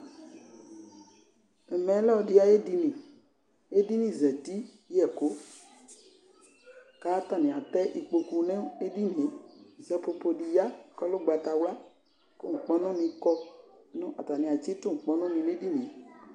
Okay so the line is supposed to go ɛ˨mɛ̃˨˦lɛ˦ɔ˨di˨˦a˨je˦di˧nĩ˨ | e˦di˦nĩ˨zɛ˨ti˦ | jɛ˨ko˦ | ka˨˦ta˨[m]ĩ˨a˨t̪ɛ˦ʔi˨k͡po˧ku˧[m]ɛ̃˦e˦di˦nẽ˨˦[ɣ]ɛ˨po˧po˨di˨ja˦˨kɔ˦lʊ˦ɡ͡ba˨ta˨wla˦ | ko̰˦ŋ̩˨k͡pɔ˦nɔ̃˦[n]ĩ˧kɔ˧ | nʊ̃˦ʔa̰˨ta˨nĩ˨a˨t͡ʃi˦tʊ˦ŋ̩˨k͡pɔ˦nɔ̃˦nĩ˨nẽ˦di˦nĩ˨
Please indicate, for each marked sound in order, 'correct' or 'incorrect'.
incorrect, incorrect, incorrect, correct

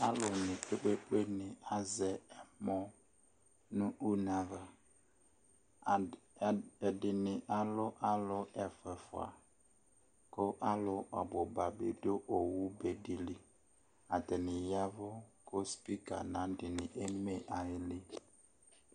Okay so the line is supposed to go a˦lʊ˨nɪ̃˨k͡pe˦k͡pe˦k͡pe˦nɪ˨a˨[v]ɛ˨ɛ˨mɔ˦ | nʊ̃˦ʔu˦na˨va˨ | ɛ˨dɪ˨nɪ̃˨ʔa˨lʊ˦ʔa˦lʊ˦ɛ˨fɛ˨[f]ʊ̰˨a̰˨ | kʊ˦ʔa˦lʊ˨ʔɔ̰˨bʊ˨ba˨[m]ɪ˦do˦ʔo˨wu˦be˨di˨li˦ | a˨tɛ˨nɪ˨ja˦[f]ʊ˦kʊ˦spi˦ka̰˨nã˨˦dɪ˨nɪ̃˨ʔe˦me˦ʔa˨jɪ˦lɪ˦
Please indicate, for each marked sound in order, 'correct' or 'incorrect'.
incorrect, correct, incorrect, incorrect

